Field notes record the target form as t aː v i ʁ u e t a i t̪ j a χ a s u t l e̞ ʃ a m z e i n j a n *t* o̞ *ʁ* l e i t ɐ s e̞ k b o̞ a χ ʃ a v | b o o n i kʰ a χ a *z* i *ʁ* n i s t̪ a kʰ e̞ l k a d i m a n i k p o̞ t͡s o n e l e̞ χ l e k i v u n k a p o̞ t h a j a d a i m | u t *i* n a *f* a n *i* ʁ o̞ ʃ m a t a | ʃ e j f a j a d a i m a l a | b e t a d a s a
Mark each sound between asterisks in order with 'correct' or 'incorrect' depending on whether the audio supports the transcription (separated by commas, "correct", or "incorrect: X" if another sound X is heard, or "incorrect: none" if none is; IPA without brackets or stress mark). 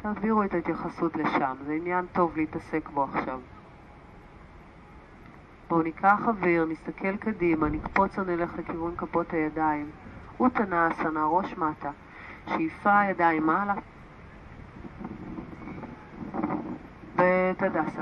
correct, incorrect: v, incorrect: v, correct, incorrect: a, incorrect: s, incorrect: a